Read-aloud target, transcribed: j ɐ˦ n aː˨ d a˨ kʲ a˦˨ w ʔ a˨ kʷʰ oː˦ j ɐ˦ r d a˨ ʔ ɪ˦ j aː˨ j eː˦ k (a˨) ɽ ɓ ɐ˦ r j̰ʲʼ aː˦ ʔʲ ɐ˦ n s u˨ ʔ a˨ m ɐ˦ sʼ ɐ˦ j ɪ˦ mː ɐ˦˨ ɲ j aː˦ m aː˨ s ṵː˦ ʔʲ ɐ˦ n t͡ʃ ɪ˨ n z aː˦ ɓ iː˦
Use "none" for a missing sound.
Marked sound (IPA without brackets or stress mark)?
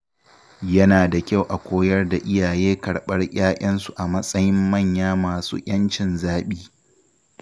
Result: ɐ˨